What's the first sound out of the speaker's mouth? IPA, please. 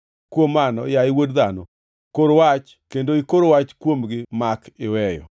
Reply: k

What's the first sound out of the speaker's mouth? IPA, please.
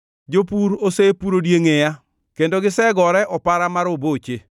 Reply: d͡ʒ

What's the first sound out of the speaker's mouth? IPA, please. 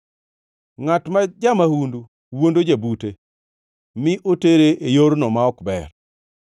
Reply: ŋ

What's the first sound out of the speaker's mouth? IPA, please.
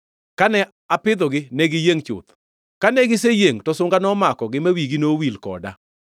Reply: k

